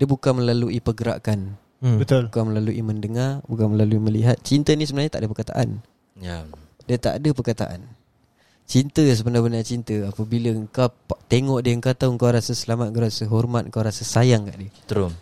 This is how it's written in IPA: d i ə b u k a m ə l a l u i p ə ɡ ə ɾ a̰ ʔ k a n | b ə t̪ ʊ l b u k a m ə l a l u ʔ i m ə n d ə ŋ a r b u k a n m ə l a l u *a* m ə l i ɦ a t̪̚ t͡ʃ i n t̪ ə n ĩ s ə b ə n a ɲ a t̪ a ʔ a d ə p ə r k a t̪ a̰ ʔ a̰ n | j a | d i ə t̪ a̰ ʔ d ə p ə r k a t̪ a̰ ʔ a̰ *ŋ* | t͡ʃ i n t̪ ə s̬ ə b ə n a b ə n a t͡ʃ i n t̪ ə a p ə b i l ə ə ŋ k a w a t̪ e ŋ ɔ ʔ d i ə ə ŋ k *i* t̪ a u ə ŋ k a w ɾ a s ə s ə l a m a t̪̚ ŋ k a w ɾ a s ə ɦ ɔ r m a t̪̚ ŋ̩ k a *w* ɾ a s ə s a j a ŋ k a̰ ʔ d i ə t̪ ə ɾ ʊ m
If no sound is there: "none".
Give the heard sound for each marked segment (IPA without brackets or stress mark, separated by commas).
i, n, a, w